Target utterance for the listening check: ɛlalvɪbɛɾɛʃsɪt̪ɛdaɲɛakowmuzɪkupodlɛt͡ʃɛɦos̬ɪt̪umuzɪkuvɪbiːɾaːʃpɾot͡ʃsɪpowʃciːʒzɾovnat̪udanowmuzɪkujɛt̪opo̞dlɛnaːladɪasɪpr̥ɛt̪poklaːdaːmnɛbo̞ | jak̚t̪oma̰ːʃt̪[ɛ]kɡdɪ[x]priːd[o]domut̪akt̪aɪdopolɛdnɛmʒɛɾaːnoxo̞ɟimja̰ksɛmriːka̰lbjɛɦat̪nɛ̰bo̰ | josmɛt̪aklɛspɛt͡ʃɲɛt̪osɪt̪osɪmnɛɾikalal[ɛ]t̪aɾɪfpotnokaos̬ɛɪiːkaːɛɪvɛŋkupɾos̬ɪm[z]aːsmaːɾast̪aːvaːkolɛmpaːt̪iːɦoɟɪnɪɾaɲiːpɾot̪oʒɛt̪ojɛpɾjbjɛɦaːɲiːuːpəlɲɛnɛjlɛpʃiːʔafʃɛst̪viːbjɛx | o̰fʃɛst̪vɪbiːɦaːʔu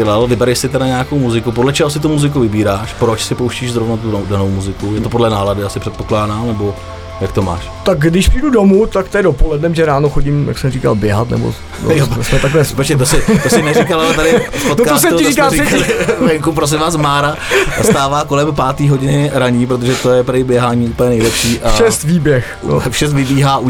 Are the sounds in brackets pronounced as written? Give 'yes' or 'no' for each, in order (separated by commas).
no, no, no, yes, no